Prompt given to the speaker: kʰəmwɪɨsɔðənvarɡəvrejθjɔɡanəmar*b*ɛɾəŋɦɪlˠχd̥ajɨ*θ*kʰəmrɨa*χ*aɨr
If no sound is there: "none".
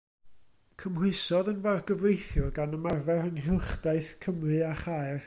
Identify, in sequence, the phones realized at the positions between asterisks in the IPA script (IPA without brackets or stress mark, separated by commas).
v, θ, χ